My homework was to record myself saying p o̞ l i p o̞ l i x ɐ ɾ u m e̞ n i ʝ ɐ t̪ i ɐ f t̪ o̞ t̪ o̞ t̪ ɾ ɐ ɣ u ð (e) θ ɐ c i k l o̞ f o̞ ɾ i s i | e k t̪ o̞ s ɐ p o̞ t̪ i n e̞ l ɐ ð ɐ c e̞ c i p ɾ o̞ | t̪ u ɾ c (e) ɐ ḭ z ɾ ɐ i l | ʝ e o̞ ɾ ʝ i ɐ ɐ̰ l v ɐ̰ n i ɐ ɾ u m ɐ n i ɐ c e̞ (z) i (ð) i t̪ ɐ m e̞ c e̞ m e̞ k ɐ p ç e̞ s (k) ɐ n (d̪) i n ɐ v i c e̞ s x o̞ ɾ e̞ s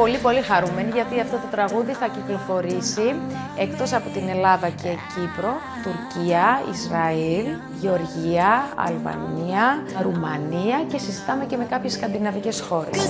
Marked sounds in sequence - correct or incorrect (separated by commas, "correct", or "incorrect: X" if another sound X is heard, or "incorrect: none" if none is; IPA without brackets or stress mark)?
incorrect: i, incorrect: i, incorrect: s, incorrect: z, correct, correct